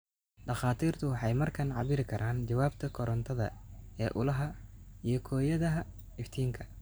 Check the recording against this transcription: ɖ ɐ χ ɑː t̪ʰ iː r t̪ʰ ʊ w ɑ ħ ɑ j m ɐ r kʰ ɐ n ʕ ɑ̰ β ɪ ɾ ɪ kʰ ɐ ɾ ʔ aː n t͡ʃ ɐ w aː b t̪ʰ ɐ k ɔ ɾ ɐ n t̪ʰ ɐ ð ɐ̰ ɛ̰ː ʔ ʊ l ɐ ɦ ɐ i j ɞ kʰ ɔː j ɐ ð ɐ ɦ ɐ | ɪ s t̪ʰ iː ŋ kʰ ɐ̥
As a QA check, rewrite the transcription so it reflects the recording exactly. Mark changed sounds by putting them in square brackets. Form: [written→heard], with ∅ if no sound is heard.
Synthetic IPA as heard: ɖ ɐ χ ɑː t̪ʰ iː r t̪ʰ ʊ w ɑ ħ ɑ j m ɐ r kʰ ɐ n ʕ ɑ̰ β ɪ ɾ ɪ kʰ ɐ ɾ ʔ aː n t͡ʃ ɐ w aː b t̪ʰ ɐ [k→kʰ] ɔ ɾ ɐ n t̪ʰ ɐ ð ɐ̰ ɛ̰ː ʔ ʊ l ɐ ɦ ɐ i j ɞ kʰ ɔː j ɐ ð ɐ ɦ ɐ | ɪ [s→f] t̪ʰ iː ŋ kʰ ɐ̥